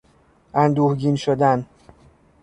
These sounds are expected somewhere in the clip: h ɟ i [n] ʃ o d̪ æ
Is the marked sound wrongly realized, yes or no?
no